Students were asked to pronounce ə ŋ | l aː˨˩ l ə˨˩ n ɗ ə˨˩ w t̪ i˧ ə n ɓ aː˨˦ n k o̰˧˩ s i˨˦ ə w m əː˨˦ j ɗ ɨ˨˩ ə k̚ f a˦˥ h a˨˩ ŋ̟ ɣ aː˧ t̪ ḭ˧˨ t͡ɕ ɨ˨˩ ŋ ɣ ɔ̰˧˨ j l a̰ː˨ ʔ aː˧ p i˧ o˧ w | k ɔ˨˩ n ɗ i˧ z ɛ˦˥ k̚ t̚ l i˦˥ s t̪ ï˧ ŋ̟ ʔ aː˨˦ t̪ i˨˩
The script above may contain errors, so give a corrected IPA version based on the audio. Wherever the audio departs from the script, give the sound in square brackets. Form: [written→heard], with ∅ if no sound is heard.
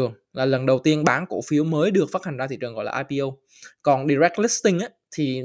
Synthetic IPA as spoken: ə ŋ | l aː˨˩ l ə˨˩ n ɗ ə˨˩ w t̪ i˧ ə n ɓ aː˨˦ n k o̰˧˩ [s→f] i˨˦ ə w m əː˨˦ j ɗ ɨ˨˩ ə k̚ f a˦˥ h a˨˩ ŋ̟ [ɣ→z] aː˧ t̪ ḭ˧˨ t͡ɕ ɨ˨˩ ŋ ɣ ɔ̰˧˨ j l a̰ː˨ ʔ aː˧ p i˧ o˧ w | k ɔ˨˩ n ɗ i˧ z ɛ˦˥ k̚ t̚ l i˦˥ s t̪ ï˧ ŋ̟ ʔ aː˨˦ [t̪→t̪ʰ] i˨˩